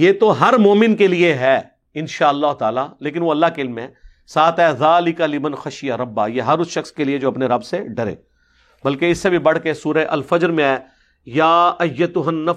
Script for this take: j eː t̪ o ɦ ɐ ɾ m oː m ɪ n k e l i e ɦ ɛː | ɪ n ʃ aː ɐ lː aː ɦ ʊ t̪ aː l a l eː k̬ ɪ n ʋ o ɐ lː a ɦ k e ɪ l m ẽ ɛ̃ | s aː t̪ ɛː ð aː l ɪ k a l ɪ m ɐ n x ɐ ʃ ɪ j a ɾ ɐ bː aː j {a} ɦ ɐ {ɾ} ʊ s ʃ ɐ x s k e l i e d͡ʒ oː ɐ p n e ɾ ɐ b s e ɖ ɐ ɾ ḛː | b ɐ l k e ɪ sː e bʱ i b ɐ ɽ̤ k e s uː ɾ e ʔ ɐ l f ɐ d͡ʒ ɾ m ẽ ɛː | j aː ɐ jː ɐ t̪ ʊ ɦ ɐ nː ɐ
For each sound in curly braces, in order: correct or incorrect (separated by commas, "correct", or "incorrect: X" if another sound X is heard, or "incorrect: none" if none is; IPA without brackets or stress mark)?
incorrect: e, correct